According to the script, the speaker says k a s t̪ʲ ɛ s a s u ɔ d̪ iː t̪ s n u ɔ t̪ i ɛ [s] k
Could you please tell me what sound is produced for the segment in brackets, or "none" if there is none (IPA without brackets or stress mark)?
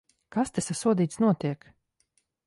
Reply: none